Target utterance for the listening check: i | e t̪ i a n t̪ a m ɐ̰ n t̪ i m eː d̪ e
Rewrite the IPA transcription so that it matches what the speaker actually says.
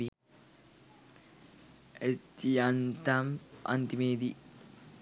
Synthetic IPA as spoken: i | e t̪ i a n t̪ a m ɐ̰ n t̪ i m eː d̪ i